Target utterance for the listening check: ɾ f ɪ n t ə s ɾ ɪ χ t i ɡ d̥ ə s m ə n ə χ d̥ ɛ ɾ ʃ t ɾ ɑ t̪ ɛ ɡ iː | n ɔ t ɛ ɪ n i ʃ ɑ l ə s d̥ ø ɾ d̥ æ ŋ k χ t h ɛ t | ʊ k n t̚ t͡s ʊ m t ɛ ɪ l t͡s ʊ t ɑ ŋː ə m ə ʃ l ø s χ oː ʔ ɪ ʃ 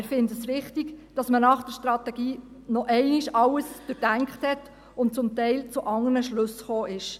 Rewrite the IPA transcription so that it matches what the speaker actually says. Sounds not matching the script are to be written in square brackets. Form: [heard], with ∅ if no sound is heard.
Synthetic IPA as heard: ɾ f ɪ n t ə s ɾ ɪ χ t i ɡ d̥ [ɑ] s m ə n [ɑ] χ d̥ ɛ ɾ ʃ t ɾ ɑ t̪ ɛ ɡ iː | n ɔ [ʔ] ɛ ɪ n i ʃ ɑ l ə s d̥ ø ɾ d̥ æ ŋ k χ t h ɛ t | ʊ [∅] n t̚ t͡s ʊ m t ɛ ɪ l t͡s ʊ [ʔ] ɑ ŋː ə [n] ə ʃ l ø s χ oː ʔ ɪ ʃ

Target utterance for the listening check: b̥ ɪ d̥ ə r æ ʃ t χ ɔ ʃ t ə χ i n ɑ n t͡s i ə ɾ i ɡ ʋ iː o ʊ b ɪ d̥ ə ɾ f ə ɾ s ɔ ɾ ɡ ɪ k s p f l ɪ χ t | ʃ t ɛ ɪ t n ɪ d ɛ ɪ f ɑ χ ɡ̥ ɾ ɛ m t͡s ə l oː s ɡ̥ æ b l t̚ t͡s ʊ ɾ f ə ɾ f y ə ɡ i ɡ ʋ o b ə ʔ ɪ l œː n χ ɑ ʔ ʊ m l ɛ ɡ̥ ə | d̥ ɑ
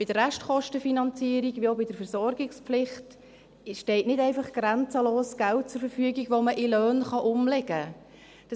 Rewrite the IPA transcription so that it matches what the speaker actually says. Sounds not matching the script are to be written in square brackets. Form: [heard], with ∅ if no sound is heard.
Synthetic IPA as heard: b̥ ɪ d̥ ə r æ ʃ t χ ɔ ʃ t ə [f] i n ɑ n t͡s i ə ɾ i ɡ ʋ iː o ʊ b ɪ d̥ ə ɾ f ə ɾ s ɔ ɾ ɡ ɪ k s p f l ɪ χ t | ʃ t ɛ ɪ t n ɪ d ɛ ɪ f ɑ χ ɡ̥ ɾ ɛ [n] t͡s ə l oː s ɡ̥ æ [∅] l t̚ t͡s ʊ ɾ f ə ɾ f y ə ɡ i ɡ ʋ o [m] ə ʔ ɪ l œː n χ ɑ ʔ ʊ m l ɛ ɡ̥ ə | d̥ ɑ

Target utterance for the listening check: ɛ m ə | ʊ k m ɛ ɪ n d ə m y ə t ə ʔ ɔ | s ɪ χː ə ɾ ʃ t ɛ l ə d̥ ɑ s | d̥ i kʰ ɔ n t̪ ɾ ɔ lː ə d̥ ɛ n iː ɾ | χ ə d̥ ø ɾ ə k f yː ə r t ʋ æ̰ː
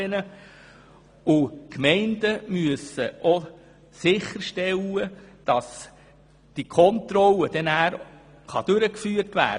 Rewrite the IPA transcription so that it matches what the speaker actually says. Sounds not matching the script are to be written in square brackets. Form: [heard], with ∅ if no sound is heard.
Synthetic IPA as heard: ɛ [n] ə | ʊ k m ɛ ɪ n d ə m y ə [s] ə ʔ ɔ | s ɪ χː ə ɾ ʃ t ɛ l ə d̥ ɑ s | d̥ i kʰ ɔ n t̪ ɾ ɔ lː ə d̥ ɛ n [æː] ɾ | χ [ɑ] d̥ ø ɾ ə k f yː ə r t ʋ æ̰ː

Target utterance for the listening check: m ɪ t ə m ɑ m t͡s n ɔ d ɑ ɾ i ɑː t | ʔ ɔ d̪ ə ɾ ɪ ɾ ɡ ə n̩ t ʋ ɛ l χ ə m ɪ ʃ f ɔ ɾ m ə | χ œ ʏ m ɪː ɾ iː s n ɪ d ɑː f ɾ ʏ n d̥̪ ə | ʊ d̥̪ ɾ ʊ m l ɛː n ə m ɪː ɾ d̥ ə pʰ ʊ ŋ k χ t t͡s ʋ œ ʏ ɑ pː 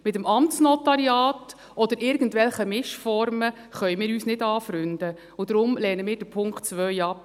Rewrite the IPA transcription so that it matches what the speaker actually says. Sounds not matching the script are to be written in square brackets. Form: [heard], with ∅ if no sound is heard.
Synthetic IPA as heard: m ɪ t ə m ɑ m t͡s n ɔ [t] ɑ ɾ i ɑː t | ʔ ɔ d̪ ə ɾ ɪ ɾ ɡ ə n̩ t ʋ ɛ l χ ə m ɪ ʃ f ɔ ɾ m ə | χ œ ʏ m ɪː ɾ [yː] s n ɪ d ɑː f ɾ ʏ n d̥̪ ə | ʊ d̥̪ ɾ ʊ m l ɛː n ə m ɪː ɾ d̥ ə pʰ ʊ ŋ k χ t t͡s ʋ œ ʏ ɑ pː

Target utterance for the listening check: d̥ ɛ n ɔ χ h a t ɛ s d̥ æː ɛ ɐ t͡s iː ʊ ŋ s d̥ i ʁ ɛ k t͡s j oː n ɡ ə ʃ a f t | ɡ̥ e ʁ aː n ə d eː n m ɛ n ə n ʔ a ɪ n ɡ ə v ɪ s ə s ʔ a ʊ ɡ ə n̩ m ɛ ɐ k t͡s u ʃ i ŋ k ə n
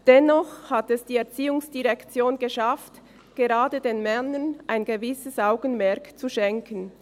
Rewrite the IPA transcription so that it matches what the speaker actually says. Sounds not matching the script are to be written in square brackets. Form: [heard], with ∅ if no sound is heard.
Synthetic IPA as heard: d̥ ɛ n ɔ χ h a t ɛ s d̥ [iː] ɛ ɐ t͡s iː ʊ ŋ s d̥ i ʁ ɛ k t͡s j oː n ɡ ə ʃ a f t | ɡ̥ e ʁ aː [d] ə d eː n m ɛ n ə n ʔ a ɪ n ɡ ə v ɪ s ə s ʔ a ʊ ɡ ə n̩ m ɛ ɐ k t͡s u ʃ [ɛ] ŋ k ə n

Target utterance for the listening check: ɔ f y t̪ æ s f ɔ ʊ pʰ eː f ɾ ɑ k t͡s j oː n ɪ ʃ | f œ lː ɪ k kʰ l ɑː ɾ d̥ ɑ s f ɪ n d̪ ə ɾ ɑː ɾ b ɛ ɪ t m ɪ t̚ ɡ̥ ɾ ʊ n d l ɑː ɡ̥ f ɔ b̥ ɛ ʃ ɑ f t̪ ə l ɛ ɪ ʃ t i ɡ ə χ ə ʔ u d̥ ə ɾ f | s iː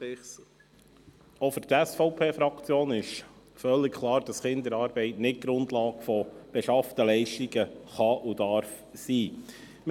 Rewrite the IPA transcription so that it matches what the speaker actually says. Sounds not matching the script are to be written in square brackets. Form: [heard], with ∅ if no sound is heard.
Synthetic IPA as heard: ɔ f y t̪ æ s f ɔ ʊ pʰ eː f ɾ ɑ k t͡s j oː n ɪ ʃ | f œ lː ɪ k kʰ l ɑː ɾ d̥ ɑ s [χ] ɪ n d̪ ə ɾ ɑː ɾ b ɛ ɪ t [n] ɪ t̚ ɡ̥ ɾ ʊ n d l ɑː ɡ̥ f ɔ b̥ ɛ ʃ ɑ f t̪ ə l ɛ ɪ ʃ t i ɡ ə χ [ɑ] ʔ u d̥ [ɑ] ɾ f | s iː

